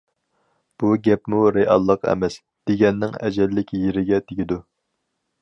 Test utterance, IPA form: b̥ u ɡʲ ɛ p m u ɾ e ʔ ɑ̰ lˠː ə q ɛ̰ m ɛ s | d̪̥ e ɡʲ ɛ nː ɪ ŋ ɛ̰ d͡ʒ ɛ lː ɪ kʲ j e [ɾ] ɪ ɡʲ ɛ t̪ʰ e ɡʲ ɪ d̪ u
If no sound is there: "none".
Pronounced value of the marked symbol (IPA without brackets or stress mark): ɾ